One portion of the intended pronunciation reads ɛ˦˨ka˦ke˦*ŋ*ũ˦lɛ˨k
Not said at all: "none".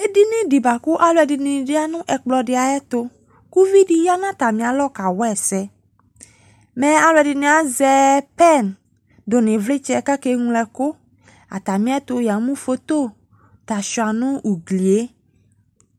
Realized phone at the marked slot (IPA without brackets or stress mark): ŋ